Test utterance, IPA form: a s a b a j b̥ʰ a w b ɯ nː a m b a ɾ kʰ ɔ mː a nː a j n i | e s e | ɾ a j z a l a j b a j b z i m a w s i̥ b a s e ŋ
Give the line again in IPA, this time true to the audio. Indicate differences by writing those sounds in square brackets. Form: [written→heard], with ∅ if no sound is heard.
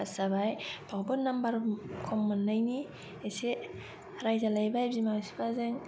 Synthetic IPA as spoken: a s a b a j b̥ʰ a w b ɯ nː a m b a ɾ kʰ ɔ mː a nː a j n i | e s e | ɾ a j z a l a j b a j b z i m a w s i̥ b a [s→z] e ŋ